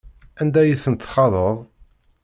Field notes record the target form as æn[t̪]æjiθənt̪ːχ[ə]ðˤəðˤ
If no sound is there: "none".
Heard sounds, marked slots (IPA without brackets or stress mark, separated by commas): d̪, ɑ